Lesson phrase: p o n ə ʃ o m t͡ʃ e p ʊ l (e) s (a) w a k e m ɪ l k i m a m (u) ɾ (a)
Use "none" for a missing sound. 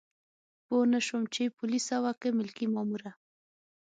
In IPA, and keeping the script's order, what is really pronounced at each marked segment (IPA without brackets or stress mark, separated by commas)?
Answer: i, a, u, a